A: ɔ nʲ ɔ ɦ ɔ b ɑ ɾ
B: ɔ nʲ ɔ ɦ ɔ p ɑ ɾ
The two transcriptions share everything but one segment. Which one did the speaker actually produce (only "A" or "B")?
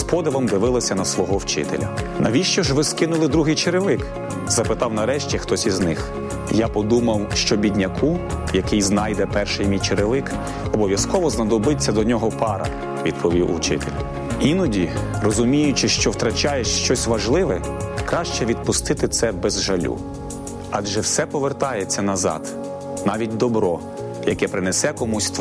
B